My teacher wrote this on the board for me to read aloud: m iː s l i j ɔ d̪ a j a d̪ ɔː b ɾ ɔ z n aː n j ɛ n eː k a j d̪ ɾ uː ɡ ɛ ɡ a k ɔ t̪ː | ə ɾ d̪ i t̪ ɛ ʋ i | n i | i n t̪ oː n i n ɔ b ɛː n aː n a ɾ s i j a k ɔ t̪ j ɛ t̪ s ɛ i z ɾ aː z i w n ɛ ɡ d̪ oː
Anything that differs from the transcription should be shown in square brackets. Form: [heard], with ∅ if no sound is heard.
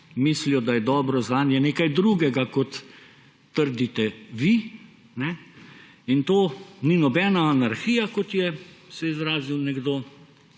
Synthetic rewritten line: m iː s l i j ɔ d̪ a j [ɛ] d̪ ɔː b ɾ ɔ z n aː n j ɛ n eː k a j d̪ ɾ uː ɡ ɛ ɡ a k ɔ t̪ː | ə ɾ d̪ i t̪ ɛ ʋ i | n [ɛ] | i n t̪ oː n i n ɔ b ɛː n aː n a ɾ [x] i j a k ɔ t̪ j ɛ [∅] s ɛ i z ɾ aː z i w n ɛ ɡ d̪ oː

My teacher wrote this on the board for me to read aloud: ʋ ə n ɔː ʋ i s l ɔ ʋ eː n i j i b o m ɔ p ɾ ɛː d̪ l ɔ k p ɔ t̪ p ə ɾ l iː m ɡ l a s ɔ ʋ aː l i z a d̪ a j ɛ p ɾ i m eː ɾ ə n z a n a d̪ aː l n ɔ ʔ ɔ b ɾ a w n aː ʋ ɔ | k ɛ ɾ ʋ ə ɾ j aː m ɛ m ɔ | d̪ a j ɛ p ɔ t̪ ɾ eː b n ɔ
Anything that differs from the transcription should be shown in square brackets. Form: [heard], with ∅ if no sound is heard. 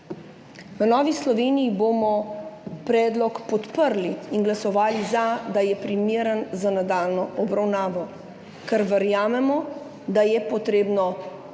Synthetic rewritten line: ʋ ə n ɔː ʋ i s l ɔ ʋ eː n i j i b o m ɔ p ɾ ɛː d̪ l ɔ k p ɔ t̪ p ə ɾ l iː [n] ɡ l a s ɔ ʋ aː l i z a d̪ a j ɛ p ɾ i m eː ɾ ə n z a n a d̪ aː l n ɔ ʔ ɔ b ɾ a w n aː ʋ ɔ | k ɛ ɾ ʋ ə ɾ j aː m ɛ m ɔ | d̪ a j ɛ p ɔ t̪ ɾ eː b n ɔ

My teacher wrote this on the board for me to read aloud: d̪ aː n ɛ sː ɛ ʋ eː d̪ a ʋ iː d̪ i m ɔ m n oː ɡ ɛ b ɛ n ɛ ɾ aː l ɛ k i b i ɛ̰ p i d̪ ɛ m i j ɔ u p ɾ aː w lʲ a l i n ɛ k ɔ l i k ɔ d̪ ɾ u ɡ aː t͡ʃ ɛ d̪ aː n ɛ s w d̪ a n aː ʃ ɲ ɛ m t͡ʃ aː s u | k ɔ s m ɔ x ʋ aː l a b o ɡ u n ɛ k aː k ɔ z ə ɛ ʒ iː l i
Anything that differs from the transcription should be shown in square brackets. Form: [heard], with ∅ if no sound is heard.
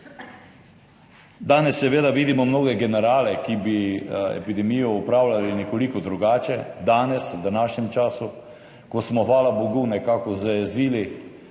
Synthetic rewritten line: d̪ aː n ɛ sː ɛ ʋ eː d̪ a ʋ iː d̪ i m ɔ m n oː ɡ ɛ [ɡ] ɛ n ɛ ɾ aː l ɛ k i b i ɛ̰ p i d̪ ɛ m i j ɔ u p ɾ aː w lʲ a l i n ɛ k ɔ l i k ɔ d̪ ɾ u ɡ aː t͡ʃ ɛ d̪ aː n ɛ s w d̪ a n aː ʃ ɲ ɛ m t͡ʃ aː s u | k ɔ s m ɔ x ʋ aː l a b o ɡ u n ɛ k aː k ɔ z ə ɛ [z] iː l i

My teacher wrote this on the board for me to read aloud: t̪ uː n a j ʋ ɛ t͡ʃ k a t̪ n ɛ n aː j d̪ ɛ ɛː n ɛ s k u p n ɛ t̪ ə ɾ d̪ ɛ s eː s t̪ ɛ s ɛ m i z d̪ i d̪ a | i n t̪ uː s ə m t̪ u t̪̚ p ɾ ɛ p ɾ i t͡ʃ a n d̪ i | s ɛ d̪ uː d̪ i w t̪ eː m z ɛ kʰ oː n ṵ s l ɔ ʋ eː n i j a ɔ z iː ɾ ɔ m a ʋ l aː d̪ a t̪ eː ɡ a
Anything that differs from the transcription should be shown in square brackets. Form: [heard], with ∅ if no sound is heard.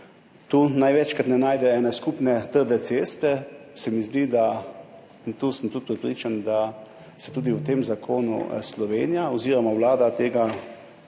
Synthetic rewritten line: t̪ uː n a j ʋ ɛ t͡ʃ k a t̪ n ɛ n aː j d̪ ɛ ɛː n ɛ s k u p n ɛ t̪ ə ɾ d̪ ɛ s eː s t̪ ɛ s ɛ m i z d̪ i d̪ a | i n t̪ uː s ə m t̪ u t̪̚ p ɾ ɛ p ɾ i t͡ʃ a n d̪ [a] | s ɛ [t̪] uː d̪ i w t̪ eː m z [a] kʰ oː n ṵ s l ɔ ʋ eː n i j a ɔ z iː ɾ ɔ m a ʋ l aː d̪ a t̪ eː ɡ a

